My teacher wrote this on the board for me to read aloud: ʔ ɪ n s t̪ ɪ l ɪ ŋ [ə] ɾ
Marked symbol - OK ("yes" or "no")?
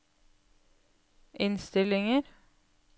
yes